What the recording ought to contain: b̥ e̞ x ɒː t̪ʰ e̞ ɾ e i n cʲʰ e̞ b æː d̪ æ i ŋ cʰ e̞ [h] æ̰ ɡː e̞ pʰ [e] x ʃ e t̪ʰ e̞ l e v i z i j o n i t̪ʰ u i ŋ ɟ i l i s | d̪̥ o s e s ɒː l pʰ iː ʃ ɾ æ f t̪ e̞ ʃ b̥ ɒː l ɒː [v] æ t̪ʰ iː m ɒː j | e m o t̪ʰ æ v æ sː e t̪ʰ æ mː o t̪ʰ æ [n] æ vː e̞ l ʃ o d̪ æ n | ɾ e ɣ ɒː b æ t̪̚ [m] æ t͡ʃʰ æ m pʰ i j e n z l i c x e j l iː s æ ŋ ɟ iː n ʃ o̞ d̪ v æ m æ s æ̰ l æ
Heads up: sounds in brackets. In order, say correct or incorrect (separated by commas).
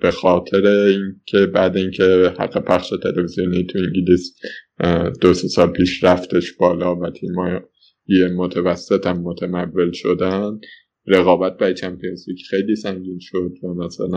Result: correct, incorrect, correct, incorrect, incorrect